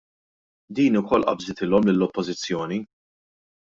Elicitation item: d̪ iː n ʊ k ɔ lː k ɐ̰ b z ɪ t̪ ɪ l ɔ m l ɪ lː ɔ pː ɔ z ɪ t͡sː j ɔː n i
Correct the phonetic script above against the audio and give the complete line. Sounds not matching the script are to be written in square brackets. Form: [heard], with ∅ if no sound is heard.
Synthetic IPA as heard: d̪ iː n ʊ k ɔ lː [ʔ] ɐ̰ b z ɪ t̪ ɪ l ɔ m l ɪ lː ɔ pː ɔ z ɪ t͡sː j ɔː n i